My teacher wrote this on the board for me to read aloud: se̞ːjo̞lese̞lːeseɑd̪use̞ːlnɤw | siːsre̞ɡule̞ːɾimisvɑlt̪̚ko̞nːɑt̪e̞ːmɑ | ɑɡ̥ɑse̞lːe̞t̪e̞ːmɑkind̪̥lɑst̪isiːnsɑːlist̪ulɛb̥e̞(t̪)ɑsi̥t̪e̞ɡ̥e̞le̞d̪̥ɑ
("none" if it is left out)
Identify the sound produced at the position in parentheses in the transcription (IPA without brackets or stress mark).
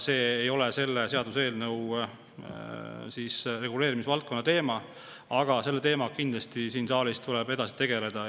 d̪